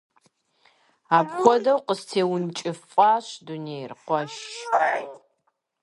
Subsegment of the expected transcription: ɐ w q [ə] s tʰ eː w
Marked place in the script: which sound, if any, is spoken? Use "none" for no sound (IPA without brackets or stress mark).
ə